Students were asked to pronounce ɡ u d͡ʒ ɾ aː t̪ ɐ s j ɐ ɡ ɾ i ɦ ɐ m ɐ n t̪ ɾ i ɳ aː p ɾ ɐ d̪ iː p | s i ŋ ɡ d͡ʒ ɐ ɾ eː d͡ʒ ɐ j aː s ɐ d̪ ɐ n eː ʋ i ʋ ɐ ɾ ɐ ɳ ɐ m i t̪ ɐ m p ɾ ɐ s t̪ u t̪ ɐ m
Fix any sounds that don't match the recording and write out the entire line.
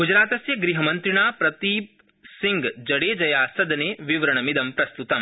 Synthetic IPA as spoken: ɡ u d͡ʒ ɾ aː t̪ ɐ s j ɐ ɡ ɾ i ɦ ɐ m ɐ n t̪ ɾ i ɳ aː p ɾ ɐ t̪ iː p | s i ŋ ɡ d͡ʒ ɐ ɽ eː d͡ʒ ɐ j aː s ɐ d̪ ɐ n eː ʋ i ʋ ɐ ɾ ɐ ɳ ɐ m i d̪ ɐ m p ɾ ɐ s t̪ u t̪ ɐ m